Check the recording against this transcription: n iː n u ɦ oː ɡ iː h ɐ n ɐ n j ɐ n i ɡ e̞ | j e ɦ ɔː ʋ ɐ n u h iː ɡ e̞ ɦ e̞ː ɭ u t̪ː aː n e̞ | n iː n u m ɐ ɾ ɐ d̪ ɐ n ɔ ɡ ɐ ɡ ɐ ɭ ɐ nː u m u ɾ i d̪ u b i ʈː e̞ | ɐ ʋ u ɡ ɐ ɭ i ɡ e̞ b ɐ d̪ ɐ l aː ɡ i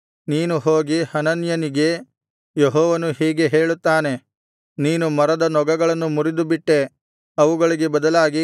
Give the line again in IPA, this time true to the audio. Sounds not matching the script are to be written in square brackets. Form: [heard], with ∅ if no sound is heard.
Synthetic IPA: n iː n u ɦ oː ɡ [i] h ɐ n ɐ n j ɐ n i ɡ e̞ | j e ɦ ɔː ʋ ɐ n u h iː ɡ e̞ ɦ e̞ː ɭ u t̪ː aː n e̞ | n iː n u m ɐ ɾ ɐ d̪ ɐ n ɔ ɡ ɐ ɡ ɐ ɭ ɐ nː u m u ɾ i d̪ u b i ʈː e̞ | ɐ ʋ u ɡ ɐ ɭ i ɡ e̞ b ɐ d̪ ɐ l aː ɡ i